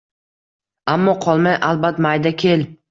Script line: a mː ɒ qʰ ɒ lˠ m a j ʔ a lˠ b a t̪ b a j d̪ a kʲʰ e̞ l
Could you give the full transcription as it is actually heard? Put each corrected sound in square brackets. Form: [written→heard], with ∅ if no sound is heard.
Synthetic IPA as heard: a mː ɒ qʰ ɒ lˠ m a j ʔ a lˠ b a t̪ [b→m] a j d̪ a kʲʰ e̞ l

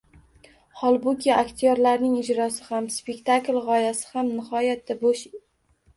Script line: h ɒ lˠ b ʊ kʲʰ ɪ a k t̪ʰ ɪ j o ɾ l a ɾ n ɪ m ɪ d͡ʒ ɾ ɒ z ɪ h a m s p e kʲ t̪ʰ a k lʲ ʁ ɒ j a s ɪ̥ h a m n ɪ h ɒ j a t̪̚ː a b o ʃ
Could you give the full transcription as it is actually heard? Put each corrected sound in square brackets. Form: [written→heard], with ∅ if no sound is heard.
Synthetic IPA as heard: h ɒ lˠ b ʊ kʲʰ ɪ a k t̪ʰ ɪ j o ɾ l a ɾ n ɪ [m→ŋ] ɪ d͡ʒ ɾ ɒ [z→s] ɪ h a m s p e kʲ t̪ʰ a k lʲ ʁ ɒ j a s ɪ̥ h a m n ɪ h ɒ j a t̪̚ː a b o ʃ

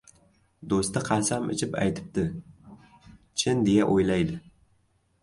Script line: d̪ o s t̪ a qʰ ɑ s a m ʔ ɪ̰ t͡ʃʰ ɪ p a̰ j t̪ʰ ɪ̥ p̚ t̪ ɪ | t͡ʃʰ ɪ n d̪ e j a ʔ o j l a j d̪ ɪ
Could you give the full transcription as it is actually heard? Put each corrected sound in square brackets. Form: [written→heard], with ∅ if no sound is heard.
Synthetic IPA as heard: d̪ o s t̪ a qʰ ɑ s a m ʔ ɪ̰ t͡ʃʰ ɪ p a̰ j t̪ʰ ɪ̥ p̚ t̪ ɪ | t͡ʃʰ ɪ n d̪ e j a ʔ o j l a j d̪ ɪ

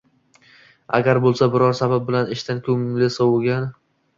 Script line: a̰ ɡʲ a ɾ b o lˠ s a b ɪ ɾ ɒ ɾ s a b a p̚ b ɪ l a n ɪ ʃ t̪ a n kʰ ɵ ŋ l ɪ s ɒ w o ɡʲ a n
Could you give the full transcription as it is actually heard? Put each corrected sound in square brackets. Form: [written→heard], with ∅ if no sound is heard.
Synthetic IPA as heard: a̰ ɡʲ a ɾ b o lˠ s a b ɪ ɾ ɒ ɾ s a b a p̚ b ɪ l a n ɪ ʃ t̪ a n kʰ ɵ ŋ l ɪ s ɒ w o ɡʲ a n

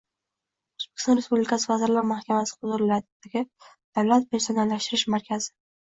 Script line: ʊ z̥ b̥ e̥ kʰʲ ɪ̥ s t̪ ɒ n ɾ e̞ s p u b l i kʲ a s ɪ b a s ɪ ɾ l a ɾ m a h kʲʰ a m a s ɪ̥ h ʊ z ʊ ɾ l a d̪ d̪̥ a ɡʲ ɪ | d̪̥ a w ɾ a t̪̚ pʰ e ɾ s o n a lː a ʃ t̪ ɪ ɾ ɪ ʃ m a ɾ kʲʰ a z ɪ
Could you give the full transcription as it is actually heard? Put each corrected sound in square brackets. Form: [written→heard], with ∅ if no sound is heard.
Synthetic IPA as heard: ʊ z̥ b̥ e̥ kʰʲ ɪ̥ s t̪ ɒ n ɾ e̞ s p u b l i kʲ a s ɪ [b→v] a [s→z] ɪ ɾ l a ɾ m a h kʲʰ a m a s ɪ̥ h ʊ z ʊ ɾ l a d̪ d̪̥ a ɡʲ ɪ | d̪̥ a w [ɾ→l] a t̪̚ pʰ e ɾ s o n a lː a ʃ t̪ ɪ ɾ ɪ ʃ m a ɾ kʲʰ a z ɪ

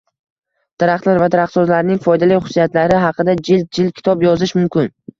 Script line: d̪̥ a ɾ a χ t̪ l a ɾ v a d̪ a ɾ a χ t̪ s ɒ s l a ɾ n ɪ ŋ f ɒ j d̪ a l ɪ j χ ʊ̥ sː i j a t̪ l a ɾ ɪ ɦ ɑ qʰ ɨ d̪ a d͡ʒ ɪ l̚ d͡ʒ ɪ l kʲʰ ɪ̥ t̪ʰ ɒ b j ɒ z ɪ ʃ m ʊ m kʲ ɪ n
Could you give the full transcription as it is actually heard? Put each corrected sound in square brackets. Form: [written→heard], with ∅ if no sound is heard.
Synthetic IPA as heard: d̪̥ a ɾ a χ t̪ l a ɾ v a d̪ a ɾ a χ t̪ s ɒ [s→z] l a ɾ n ɪ ŋ f ɒ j d̪ a l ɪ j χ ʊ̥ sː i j a t̪ l a ɾ ɪ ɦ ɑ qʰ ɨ d̪ a d͡ʒ ɪ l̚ d͡ʒ ɪ l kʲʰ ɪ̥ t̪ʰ ɒ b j ɒ z ɪ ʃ m ʊ m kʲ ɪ n

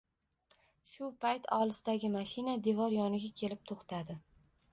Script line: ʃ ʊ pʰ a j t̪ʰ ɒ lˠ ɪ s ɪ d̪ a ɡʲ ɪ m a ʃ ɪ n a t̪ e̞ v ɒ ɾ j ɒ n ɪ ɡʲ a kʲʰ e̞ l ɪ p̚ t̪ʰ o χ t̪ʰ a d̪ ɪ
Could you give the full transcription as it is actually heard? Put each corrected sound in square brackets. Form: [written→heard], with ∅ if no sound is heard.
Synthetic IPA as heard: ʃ ʊ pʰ a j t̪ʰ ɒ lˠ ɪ s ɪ d̪ a ɡʲ ɪ m a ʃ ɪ n a [t̪→d̪] e̞ v ɒ ɾ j ɒ n ɪ ɡʲ a kʲʰ e̞ l ɪ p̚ t̪ʰ o χ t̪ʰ a d̪ ɪ

